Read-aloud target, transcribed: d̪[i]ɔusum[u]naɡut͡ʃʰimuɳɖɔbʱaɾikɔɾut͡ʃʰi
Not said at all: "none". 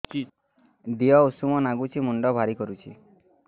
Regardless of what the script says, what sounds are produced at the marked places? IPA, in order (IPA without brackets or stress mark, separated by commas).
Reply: i, ɔ